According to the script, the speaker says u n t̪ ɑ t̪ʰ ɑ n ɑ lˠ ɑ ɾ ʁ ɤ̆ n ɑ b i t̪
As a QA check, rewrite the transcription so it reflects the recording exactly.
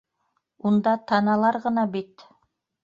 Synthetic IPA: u n d̪ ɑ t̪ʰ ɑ n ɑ lˠ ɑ ɾ ʁ ɤ̆ n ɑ b i t̪